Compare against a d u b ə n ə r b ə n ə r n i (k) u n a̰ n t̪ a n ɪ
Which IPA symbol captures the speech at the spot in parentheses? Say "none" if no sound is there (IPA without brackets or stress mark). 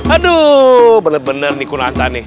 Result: k